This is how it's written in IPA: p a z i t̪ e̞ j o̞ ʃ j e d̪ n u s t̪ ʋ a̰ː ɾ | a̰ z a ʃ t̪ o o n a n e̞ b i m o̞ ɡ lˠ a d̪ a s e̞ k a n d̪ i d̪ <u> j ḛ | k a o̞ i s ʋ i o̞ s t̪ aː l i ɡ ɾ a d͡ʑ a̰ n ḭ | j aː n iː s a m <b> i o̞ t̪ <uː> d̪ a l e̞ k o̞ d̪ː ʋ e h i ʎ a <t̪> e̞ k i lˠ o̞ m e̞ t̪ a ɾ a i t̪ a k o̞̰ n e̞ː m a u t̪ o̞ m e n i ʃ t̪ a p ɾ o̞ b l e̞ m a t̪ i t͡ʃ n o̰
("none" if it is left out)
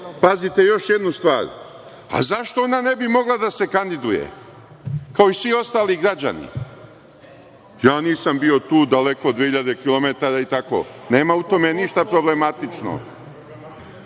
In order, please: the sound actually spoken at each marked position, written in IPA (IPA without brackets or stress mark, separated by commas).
u, b, uː, d̪